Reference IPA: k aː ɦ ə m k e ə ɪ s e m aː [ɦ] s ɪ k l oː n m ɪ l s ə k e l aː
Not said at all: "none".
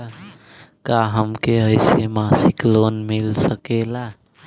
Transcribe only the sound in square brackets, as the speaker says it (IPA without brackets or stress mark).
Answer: none